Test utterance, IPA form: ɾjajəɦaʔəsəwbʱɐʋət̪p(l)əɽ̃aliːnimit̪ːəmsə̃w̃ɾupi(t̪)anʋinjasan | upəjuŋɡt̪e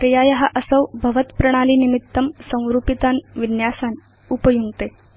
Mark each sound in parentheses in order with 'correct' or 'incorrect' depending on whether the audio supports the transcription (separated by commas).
incorrect, correct